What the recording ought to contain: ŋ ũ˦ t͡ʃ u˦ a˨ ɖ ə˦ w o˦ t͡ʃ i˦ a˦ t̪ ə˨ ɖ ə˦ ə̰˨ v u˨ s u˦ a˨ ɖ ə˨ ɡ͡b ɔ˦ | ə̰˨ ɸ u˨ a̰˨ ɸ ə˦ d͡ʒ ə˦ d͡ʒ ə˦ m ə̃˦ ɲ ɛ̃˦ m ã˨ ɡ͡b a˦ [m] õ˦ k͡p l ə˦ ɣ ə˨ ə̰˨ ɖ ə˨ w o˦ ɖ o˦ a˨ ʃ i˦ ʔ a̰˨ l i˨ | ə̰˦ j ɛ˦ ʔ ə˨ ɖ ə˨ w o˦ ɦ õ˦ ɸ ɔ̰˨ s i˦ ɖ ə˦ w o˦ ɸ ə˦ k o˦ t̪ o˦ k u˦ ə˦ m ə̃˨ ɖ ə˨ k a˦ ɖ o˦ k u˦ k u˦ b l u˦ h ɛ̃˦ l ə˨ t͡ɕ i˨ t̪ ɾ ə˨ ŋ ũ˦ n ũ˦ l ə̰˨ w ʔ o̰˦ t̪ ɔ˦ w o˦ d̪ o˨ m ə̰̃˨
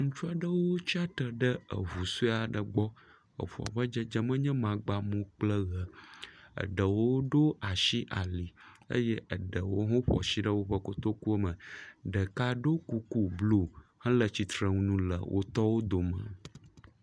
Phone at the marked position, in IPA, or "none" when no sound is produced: m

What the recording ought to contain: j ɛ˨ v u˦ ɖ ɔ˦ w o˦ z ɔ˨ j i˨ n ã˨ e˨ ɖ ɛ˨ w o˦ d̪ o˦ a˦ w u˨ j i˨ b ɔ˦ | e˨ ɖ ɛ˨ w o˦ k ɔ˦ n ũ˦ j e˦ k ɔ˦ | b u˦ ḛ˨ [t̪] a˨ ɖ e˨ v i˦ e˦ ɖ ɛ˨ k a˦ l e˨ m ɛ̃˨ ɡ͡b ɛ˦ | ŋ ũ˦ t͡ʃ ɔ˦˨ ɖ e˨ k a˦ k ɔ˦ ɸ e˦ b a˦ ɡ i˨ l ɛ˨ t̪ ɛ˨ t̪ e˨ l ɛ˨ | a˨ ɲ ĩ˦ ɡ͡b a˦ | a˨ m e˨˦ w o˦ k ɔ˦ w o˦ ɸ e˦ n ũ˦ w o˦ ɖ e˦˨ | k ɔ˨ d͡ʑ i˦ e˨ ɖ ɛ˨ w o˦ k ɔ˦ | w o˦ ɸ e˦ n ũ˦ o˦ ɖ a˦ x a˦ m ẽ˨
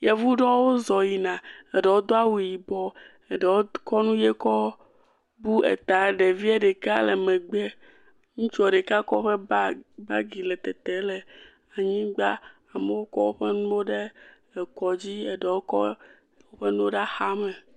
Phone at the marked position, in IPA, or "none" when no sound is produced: t̪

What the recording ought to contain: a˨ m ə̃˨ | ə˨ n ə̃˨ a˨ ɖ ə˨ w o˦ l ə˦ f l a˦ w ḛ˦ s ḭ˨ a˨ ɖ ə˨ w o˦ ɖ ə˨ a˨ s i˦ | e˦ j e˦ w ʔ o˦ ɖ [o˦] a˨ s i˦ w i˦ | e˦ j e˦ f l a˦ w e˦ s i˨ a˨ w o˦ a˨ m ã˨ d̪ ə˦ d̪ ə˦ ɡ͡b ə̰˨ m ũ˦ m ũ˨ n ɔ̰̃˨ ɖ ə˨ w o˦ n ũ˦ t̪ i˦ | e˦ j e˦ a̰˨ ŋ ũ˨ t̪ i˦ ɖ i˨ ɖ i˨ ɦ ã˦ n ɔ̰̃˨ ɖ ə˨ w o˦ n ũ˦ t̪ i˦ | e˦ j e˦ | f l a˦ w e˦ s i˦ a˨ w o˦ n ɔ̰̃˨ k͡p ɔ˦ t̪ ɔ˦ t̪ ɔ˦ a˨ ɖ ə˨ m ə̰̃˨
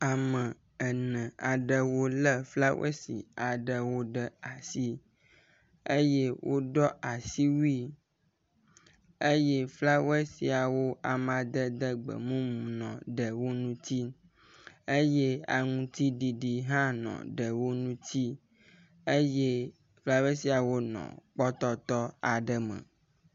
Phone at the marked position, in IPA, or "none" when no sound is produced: ɔ˦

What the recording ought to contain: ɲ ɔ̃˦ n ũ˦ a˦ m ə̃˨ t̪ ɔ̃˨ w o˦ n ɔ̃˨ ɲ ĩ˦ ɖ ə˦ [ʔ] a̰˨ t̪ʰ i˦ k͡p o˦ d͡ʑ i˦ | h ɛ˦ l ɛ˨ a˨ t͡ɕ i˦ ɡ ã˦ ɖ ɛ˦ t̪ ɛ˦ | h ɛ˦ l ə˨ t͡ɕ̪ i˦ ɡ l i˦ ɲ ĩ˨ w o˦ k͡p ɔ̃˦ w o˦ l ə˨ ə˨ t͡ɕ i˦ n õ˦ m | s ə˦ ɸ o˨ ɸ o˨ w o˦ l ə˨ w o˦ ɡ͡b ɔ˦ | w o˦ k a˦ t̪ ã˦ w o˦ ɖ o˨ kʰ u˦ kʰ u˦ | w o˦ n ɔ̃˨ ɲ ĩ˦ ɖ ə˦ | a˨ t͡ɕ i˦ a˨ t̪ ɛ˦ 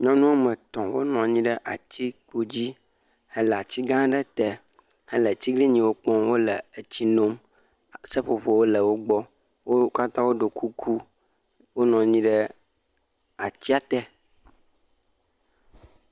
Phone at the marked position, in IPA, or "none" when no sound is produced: ʔ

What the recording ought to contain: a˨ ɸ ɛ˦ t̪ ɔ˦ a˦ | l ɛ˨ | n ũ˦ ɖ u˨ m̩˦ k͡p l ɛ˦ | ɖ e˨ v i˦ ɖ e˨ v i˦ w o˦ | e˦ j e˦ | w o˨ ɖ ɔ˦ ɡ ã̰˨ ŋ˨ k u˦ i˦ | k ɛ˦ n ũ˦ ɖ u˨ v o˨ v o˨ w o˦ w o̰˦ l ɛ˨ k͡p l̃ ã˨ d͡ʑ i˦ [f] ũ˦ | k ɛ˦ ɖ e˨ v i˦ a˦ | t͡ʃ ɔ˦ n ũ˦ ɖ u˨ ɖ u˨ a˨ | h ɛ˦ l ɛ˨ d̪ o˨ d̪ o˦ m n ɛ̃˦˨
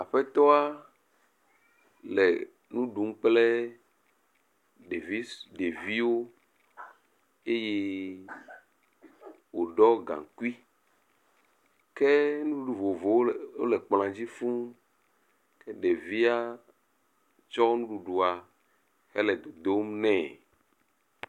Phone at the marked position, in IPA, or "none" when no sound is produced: f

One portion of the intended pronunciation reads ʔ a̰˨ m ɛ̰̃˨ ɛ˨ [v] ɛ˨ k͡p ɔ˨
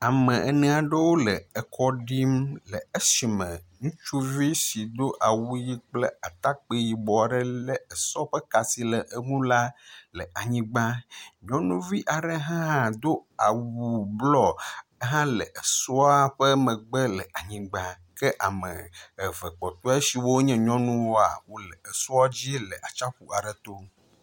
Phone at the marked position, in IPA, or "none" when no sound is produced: v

